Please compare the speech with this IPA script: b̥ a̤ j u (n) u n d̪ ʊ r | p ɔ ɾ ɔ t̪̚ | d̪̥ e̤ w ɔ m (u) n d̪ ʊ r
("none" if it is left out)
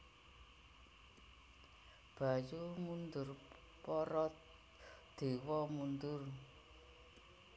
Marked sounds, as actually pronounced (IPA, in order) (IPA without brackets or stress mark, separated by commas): m, u